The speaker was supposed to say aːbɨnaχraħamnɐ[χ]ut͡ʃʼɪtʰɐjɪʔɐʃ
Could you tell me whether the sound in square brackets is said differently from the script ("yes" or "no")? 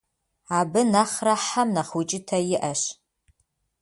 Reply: no